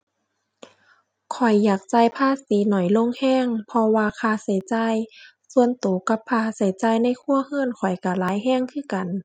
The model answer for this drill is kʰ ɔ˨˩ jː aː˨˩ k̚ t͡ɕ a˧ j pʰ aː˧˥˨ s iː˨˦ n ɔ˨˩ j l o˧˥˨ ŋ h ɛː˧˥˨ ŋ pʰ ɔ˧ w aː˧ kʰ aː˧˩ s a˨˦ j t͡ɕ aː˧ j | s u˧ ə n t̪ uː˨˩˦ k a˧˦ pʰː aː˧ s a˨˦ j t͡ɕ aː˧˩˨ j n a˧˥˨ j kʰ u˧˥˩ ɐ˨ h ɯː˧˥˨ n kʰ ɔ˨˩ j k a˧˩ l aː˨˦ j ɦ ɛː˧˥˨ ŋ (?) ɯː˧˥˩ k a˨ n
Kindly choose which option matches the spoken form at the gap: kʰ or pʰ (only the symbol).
kʰ